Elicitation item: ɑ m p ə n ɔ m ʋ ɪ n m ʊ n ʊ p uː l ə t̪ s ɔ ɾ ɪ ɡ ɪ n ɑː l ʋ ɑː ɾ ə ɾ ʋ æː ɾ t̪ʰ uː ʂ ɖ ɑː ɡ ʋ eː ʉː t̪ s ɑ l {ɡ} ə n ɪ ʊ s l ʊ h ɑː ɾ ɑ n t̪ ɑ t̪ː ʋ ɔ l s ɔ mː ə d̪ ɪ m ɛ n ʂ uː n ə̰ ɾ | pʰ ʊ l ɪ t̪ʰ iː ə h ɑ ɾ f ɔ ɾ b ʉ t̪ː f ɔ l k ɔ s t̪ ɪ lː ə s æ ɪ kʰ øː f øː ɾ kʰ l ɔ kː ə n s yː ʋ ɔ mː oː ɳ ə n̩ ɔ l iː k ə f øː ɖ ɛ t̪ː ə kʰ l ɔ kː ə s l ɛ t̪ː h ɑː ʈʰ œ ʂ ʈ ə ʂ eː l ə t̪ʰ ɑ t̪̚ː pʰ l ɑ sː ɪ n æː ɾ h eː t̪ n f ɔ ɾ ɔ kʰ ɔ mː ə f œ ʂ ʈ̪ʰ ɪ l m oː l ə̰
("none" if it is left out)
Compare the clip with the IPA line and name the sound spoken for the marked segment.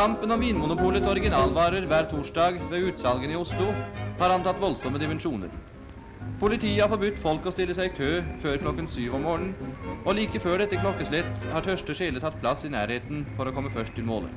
ɡ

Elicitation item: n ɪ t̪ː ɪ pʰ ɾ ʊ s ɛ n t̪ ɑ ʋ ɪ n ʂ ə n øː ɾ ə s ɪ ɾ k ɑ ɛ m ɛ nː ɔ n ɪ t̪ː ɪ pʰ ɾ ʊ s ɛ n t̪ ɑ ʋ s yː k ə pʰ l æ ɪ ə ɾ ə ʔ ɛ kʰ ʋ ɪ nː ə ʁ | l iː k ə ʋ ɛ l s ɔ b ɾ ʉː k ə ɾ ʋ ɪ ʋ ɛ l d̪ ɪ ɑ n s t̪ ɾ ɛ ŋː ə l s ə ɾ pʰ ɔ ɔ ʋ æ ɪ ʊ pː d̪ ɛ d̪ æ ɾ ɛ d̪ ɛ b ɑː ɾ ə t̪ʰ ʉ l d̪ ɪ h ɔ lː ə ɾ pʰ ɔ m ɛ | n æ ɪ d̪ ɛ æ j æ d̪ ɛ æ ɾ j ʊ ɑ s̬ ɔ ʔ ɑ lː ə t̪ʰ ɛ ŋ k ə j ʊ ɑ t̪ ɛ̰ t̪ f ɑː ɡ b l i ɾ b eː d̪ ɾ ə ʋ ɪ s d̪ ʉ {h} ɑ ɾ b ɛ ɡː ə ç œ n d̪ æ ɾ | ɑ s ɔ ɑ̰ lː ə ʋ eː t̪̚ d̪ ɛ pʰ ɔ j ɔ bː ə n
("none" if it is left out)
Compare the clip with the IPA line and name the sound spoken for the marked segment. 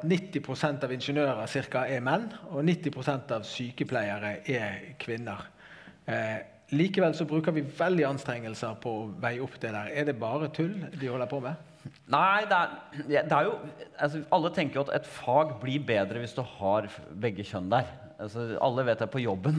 h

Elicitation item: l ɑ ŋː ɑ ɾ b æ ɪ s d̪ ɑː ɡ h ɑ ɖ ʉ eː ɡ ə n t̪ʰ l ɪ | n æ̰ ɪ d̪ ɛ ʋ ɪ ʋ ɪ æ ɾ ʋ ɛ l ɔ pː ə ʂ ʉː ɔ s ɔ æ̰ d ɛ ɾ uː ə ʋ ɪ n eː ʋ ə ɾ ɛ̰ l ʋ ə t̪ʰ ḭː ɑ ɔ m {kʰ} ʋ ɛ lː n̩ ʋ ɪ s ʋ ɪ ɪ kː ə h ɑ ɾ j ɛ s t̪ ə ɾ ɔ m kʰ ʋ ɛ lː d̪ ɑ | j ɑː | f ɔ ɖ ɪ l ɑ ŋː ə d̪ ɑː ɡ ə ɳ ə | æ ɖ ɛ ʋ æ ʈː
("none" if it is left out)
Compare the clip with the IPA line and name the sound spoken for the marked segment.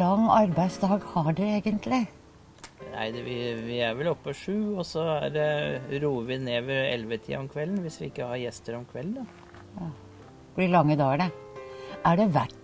kʰ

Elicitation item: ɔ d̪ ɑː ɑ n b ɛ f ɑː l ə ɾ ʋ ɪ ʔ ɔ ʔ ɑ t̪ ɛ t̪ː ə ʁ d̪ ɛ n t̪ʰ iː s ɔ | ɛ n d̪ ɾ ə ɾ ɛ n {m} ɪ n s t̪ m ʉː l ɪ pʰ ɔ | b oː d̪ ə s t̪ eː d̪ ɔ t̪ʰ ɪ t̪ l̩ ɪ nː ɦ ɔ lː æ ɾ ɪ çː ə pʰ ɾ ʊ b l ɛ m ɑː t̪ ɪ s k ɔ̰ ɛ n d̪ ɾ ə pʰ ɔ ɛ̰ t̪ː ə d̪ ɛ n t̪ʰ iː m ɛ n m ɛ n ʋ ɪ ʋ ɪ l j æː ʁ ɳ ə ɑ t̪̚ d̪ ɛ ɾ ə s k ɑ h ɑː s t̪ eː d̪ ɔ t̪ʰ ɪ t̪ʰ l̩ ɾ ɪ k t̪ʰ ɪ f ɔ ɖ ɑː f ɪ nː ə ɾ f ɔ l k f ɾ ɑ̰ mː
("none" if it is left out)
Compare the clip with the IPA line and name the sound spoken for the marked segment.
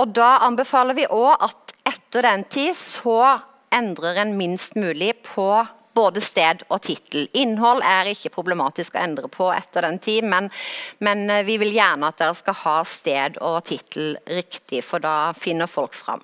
m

